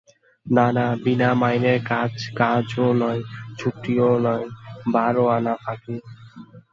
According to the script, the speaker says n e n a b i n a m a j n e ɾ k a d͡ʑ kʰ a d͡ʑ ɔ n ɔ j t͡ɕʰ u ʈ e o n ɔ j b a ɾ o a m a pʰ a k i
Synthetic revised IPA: n a n a b i n a m a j n e ɾ k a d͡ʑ k a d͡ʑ o n ɔ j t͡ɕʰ u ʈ i o n ɔ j b a ɾ o a n a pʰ a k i